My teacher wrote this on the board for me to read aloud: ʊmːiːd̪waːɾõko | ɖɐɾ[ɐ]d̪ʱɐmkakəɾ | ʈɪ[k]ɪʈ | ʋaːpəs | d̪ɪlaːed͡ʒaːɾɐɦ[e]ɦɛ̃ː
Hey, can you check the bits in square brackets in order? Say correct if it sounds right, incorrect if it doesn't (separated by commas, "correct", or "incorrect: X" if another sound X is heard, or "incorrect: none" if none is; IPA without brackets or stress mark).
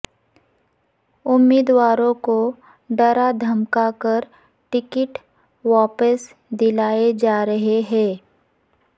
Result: incorrect: a, correct, correct